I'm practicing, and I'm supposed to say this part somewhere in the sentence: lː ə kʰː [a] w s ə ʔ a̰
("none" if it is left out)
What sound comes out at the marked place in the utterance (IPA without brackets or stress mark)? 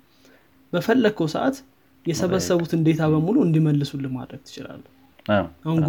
ə